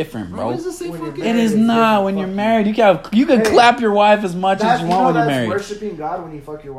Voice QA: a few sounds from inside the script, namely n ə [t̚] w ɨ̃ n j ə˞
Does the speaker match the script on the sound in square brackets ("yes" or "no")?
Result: yes